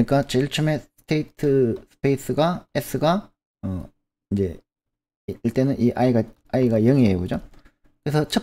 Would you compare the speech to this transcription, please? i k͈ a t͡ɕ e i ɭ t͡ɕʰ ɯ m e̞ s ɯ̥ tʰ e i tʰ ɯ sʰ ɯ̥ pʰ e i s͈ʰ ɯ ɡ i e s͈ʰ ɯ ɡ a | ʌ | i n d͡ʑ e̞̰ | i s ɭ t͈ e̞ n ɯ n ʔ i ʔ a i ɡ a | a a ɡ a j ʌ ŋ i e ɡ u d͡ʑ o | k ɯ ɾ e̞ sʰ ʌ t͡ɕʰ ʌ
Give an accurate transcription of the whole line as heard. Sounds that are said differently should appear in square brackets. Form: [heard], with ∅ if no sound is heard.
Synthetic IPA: i k͈ a t͡ɕ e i ɭ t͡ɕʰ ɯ m e̞ s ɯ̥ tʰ e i tʰ ɯ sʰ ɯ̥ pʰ e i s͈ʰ ɯ ɡ [a] e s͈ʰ ɯ ɡ a | ʌ | i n d͡ʑ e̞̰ | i [∅] ɭ t͈ e̞ n ɯ n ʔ i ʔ a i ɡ a | a [i] ɡ a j ʌ ŋ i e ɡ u d͡ʑ o | k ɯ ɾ e̞ sʰ ʌ t͡ɕʰ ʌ